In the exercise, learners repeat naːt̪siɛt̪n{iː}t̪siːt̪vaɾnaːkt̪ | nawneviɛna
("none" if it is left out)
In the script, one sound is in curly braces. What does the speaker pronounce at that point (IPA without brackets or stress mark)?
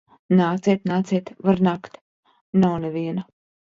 aː